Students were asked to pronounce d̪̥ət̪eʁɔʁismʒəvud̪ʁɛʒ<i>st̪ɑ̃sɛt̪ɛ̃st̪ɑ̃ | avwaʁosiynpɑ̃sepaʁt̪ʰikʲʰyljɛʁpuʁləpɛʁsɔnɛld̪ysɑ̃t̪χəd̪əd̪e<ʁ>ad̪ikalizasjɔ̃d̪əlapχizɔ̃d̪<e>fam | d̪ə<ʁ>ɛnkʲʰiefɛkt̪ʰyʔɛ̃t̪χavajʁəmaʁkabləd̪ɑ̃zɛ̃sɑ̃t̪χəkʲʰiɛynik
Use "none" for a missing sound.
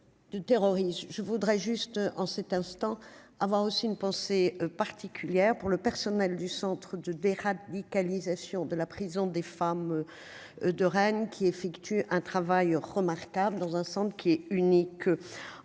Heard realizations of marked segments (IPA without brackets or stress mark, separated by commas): y, ʁ, e, ʁ